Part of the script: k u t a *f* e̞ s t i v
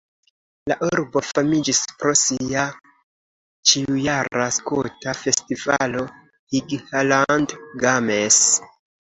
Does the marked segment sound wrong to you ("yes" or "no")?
no